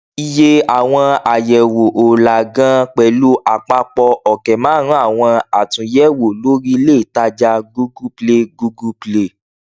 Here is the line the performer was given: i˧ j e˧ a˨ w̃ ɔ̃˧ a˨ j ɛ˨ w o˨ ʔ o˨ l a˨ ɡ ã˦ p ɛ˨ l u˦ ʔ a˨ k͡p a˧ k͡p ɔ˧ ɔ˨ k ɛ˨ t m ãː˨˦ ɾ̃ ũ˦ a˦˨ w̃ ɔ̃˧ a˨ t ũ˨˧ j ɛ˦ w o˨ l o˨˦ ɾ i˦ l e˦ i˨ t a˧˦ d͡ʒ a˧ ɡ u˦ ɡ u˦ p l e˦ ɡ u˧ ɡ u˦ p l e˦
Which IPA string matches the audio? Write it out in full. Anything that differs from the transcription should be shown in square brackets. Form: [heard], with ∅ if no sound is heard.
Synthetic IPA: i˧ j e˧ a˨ w̃ ɔ̃˧ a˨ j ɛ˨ w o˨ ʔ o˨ l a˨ ɡ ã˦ [k͡p] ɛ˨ l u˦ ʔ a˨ k͡p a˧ k͡p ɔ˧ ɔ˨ k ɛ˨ [∅] m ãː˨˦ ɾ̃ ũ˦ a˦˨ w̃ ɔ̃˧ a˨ t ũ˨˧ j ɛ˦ w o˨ l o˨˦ ɾ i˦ l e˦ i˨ t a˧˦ d͡ʒ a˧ ɡ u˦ ɡ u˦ p l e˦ ɡ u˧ ɡ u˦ p l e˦